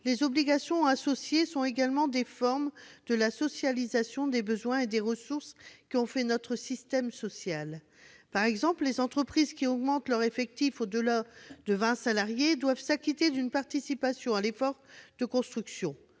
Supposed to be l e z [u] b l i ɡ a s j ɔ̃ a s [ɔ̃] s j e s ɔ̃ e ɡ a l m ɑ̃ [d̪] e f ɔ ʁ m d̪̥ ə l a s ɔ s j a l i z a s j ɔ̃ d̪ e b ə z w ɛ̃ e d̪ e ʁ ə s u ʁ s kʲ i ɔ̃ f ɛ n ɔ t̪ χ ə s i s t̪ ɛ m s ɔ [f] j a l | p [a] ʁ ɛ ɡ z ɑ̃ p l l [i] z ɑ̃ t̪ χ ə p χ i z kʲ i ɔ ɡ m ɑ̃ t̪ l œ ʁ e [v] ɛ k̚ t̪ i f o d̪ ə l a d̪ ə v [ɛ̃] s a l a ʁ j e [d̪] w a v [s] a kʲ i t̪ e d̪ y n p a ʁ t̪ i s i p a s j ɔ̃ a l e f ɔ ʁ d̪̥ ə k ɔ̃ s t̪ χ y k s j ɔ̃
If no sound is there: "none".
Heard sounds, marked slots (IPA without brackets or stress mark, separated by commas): ɔ, ɔ, d̪, s, a, e, f, ɛ̃, d̪, s